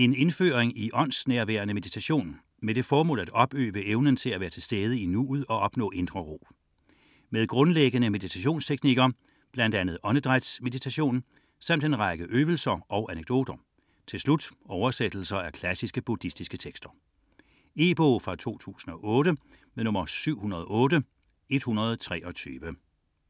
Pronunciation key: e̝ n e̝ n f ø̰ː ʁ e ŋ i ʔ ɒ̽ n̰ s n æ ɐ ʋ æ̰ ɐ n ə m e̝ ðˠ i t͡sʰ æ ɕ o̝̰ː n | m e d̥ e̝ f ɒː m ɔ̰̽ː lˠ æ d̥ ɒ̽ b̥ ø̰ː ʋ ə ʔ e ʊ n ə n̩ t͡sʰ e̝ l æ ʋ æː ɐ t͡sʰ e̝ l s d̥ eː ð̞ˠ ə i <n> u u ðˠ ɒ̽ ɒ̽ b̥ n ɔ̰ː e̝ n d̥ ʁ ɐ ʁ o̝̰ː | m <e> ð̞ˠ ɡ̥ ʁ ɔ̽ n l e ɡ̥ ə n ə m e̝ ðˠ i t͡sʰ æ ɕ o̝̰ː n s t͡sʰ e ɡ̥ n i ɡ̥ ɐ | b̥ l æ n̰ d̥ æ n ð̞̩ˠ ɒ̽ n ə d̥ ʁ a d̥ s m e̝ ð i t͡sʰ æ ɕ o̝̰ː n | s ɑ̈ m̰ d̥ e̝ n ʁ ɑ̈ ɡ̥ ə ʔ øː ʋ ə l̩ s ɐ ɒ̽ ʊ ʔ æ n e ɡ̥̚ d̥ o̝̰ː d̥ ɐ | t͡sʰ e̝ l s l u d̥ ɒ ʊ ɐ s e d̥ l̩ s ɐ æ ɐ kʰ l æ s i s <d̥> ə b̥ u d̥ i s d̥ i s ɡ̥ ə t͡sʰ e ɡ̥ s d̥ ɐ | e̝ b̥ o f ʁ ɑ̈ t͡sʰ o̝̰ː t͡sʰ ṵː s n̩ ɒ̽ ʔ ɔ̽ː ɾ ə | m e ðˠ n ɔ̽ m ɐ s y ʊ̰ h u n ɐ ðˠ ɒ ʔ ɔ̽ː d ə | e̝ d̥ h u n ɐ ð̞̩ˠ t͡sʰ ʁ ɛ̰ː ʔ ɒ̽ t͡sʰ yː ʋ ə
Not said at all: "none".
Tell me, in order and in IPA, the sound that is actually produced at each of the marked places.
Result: n, e, ɡ̥

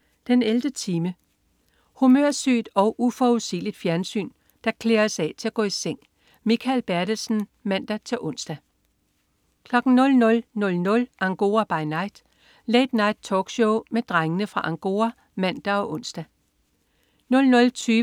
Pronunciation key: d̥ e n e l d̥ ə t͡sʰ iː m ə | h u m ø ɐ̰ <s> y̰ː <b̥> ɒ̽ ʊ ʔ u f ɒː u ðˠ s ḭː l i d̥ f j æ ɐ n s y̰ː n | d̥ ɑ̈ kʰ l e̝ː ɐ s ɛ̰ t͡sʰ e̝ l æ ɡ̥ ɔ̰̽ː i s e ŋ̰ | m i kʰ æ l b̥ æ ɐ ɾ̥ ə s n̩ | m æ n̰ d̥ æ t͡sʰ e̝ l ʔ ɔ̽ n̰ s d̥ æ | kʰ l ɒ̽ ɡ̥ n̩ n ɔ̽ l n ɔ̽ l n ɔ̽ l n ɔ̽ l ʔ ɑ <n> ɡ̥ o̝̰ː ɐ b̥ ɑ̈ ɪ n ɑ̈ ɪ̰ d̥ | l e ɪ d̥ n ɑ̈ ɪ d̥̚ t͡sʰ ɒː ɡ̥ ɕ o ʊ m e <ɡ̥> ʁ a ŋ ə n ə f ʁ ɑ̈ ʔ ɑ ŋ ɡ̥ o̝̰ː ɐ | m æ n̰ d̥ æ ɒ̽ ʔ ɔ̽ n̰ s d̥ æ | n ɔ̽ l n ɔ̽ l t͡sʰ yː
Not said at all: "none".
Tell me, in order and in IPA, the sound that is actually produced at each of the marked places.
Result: s, d̥, ŋ, d̥

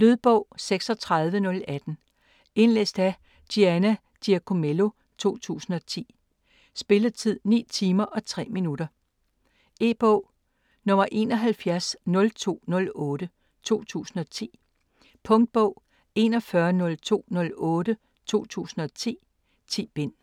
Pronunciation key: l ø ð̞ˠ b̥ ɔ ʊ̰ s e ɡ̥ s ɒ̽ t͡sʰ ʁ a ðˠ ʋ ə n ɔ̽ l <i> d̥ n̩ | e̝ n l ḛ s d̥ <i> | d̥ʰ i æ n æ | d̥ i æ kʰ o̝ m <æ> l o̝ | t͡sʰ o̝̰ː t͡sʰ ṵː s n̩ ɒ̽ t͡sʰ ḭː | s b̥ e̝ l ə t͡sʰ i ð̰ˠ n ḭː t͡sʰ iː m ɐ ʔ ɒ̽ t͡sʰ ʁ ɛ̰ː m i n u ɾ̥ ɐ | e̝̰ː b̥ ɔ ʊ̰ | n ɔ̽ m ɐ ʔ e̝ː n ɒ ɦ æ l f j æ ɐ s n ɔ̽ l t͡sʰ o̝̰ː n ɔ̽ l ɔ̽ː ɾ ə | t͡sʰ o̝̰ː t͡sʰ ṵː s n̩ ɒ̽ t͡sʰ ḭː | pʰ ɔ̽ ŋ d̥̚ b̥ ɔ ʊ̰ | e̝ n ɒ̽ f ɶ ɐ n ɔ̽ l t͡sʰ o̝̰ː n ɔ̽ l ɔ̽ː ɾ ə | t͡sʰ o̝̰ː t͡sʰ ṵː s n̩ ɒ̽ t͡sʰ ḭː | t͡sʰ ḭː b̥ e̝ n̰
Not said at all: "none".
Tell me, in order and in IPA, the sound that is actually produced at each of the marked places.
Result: æ, æ, e

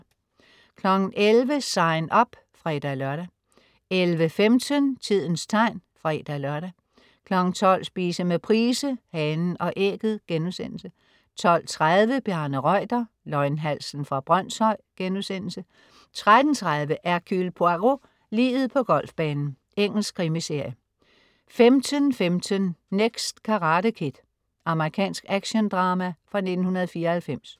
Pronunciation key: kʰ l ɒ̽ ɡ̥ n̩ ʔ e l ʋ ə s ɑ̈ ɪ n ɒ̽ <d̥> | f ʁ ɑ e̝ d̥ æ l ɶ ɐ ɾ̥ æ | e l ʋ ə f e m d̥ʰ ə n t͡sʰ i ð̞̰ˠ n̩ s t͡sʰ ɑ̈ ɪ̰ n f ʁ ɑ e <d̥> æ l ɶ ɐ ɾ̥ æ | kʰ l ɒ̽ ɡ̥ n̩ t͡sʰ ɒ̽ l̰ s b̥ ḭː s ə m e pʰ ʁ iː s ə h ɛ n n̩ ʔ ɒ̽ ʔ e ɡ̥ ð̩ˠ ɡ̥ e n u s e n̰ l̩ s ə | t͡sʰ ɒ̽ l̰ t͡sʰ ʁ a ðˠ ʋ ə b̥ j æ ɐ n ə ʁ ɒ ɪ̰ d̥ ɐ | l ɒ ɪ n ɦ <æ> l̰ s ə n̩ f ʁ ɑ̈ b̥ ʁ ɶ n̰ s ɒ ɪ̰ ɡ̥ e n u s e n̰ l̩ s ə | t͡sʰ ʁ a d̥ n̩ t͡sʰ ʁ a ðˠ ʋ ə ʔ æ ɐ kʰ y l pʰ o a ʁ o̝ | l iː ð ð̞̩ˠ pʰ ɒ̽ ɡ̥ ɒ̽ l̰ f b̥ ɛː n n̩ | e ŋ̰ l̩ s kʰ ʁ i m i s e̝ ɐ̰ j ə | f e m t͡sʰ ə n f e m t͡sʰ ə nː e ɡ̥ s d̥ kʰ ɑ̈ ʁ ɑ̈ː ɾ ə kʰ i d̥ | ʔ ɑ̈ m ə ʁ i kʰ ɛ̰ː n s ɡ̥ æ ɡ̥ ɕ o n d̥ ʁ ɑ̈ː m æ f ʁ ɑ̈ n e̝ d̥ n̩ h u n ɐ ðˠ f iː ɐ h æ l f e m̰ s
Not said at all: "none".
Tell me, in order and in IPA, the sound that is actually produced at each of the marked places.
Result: b̥, d̥, æ

